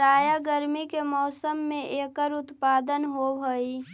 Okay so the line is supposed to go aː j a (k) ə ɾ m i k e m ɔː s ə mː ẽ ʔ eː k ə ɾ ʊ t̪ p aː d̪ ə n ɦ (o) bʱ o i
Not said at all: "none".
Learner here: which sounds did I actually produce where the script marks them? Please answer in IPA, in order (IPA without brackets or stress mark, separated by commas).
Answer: ɡ, o